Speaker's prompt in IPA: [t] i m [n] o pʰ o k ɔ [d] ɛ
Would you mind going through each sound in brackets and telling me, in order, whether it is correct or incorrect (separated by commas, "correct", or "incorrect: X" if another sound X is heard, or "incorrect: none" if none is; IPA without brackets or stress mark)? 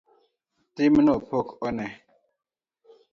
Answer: correct, correct, incorrect: n